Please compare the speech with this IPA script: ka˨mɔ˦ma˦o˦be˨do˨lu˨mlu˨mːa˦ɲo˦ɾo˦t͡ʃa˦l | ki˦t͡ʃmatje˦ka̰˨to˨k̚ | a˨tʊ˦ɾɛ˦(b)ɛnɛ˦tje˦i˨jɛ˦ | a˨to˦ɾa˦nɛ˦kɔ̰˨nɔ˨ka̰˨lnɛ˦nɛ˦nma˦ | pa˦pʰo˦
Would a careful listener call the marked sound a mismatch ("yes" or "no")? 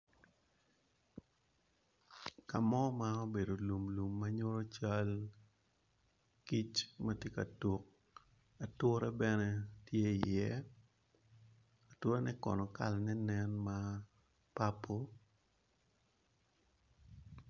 no